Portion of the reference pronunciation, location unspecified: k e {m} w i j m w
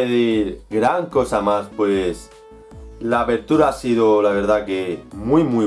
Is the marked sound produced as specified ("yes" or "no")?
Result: yes